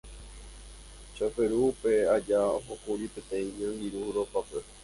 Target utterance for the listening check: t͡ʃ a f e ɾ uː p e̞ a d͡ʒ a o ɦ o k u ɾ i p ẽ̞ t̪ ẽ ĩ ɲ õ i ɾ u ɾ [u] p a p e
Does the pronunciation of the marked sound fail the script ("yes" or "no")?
yes